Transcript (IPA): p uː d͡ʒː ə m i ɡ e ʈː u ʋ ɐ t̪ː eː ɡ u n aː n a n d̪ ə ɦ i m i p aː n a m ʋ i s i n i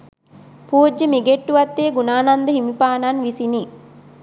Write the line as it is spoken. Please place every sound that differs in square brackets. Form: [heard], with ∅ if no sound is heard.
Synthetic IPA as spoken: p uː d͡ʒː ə m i ɡ e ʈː u ʋ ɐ t̪ː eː ɡ u n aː n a n d̪ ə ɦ i m i p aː n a [n] ʋ i s i n i